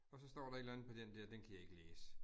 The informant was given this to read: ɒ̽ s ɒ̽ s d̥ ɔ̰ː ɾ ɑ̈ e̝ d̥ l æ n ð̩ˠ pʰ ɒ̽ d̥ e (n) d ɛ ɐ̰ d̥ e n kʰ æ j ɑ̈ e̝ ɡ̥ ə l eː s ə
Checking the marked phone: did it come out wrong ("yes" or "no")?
no